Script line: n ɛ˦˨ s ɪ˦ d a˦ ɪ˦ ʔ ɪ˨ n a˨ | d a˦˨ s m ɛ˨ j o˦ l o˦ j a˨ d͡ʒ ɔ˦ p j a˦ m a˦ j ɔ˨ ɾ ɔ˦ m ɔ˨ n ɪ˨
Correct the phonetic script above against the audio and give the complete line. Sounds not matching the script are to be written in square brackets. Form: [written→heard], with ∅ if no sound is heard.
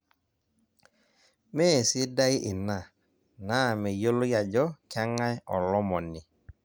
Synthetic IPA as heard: [n→m] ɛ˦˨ s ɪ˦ d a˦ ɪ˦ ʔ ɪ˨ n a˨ | [d→n] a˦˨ [s→∅] m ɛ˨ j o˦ l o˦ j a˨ d͡ʒ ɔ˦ [p→k] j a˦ [m→ŋ] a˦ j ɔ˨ [ɾ→l] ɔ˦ m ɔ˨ n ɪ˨